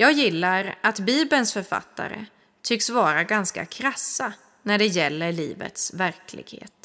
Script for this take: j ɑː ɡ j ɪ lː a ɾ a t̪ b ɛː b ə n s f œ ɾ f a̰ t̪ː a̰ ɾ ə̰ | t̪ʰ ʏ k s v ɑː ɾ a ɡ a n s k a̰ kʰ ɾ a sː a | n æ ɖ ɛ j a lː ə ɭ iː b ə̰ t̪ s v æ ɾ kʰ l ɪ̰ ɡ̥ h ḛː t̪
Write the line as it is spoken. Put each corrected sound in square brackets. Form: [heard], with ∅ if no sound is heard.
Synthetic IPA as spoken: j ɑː ɡ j ɪ lː a ɾ a t̪ b [iː] b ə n s f œ ɾ f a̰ t̪ː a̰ ɾ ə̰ | t̪ʰ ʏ k s v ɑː ɾ a ɡ a n s k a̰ kʰ ɾ a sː a | n æ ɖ ɛ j [ɛ] lː ə ɭ iː [v] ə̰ t̪ s v æ ɾ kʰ l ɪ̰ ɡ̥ h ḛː t̪